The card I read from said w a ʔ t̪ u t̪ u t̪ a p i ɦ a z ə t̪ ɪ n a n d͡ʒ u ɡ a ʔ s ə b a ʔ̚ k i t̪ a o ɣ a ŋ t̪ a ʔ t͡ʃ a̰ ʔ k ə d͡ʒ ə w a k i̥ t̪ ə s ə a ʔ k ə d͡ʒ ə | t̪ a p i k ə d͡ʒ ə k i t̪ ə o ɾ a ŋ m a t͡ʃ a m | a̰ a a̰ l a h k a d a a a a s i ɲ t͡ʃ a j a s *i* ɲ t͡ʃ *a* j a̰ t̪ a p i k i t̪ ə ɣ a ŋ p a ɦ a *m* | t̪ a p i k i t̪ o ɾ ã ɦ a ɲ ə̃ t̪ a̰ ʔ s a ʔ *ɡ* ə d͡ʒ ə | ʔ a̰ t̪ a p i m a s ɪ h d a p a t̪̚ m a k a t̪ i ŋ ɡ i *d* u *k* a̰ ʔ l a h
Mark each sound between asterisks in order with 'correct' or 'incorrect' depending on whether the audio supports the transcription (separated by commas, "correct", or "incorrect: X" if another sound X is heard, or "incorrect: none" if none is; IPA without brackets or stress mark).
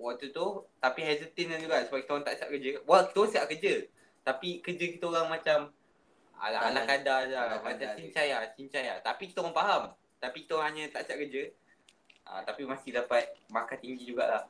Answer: correct, correct, correct, incorrect: k, incorrect: d͡ʒ, incorrect: ɡ